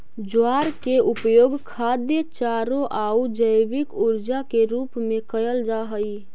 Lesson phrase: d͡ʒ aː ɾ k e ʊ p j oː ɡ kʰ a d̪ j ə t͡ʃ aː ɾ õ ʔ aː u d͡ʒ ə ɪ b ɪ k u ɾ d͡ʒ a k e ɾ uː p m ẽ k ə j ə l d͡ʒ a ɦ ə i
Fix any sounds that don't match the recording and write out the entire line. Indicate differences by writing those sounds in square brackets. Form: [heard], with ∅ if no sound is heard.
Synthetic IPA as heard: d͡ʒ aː ɾ k e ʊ p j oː ɡ kʰ a d̪ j ə t͡ʃ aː ɾ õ ʔ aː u d͡ʒ ə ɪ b ɪ k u ɾ d͡ʒ a k e ɾ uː p m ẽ k ə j ə l d͡ʒ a ɦ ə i